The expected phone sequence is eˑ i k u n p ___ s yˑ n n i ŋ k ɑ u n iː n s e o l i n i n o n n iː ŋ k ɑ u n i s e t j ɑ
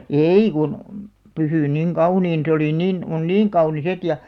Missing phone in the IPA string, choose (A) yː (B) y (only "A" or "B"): B